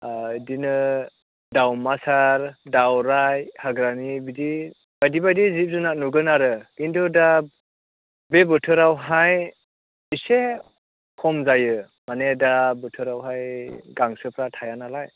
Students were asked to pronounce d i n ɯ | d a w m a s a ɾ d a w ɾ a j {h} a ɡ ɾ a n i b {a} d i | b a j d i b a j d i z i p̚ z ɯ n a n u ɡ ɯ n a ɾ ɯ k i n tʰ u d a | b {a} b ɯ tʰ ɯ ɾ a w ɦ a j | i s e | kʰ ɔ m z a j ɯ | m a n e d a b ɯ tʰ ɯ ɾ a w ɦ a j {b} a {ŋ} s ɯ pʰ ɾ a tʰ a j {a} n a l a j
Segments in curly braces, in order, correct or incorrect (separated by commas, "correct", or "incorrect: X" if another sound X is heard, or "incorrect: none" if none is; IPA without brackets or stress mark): correct, incorrect: i, incorrect: e, incorrect: ɡ, correct, correct